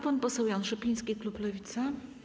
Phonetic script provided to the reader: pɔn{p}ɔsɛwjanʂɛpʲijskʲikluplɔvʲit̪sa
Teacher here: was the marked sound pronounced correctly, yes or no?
yes